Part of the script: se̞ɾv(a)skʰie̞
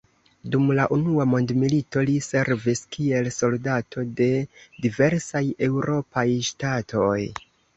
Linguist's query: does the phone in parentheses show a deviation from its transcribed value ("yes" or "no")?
yes